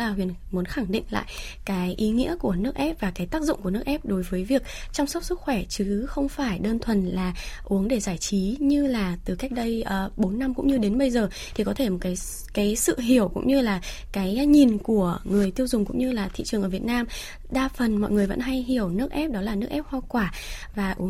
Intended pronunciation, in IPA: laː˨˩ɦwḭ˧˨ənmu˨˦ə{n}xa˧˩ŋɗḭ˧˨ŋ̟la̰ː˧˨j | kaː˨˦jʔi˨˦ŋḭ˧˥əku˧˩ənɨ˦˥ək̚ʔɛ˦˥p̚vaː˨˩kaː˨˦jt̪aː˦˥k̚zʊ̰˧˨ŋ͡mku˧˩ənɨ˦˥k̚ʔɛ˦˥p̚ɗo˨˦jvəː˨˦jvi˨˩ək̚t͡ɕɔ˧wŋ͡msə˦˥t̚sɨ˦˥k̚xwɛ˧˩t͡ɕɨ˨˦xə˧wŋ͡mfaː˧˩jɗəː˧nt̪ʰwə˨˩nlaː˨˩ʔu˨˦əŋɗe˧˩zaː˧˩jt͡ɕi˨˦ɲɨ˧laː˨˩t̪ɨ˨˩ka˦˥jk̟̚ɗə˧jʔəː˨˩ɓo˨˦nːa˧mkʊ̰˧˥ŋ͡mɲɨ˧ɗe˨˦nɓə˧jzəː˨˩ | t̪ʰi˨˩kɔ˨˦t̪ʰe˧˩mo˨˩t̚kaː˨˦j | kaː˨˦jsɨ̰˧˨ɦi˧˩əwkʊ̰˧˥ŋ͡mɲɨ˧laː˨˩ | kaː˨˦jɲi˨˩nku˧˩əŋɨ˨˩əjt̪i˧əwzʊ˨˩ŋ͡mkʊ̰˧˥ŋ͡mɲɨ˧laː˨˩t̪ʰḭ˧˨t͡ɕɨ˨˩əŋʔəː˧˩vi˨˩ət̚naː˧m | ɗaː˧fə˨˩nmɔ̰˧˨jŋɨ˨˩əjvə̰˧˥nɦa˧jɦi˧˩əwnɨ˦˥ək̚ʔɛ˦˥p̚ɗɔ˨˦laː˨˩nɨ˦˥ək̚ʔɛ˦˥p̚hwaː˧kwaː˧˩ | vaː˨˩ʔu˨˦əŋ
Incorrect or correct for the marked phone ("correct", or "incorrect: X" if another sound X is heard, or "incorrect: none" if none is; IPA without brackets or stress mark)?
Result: correct